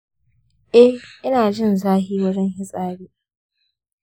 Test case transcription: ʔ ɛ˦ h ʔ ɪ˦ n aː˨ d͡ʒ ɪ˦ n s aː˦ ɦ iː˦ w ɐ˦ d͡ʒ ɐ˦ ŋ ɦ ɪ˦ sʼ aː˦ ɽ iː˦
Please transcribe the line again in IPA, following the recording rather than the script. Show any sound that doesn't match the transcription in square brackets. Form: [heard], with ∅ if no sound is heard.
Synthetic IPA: ʔ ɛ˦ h ʔ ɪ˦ n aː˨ d͡ʒ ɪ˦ n [z] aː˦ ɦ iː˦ w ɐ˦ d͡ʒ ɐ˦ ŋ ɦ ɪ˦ sʼ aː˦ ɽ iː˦